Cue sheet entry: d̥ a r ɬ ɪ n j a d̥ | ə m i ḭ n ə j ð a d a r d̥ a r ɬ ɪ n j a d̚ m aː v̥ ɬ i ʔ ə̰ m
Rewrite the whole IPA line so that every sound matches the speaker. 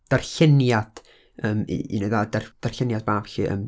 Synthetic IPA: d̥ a r ɬ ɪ n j a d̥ | ə m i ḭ n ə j ð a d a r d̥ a r ɬ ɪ n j a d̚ b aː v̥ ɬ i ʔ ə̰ m